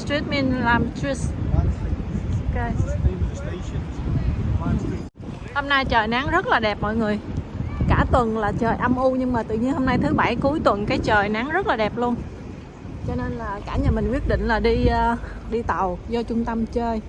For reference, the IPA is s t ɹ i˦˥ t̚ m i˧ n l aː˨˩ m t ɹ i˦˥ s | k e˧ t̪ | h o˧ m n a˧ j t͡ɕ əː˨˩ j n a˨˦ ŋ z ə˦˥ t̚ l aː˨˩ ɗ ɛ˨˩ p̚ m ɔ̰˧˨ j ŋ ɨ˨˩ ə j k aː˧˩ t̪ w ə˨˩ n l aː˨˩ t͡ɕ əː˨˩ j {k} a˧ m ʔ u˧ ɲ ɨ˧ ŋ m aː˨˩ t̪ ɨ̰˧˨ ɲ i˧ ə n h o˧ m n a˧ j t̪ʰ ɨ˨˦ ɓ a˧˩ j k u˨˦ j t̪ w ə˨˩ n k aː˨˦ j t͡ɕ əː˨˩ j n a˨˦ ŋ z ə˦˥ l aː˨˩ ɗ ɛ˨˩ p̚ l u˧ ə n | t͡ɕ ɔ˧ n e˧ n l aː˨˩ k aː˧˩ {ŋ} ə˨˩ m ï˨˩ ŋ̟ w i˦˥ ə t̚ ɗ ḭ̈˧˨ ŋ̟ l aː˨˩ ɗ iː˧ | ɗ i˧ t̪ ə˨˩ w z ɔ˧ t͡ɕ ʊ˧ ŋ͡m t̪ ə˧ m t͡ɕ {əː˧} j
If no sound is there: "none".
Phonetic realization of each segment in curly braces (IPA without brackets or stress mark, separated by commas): ʔ, ɲ, əː˧